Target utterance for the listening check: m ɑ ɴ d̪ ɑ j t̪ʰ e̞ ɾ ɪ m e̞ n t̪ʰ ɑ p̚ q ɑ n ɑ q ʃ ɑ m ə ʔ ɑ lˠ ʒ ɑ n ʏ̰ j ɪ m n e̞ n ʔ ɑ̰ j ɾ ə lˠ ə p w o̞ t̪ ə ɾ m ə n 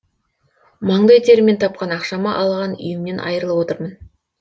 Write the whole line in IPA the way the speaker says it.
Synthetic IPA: m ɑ ɴ d̪ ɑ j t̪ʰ e̞ ɾ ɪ m e̞ n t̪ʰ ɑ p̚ q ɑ n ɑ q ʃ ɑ m ɑ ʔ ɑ lˠ ʁ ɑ n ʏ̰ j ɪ m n e̞ n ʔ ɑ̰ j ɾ ə lˠ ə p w o̞ t̪ ə ɾ m ə n